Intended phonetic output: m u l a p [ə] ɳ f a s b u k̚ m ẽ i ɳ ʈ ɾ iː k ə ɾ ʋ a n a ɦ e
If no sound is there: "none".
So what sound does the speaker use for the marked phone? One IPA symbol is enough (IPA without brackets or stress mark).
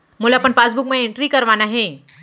ə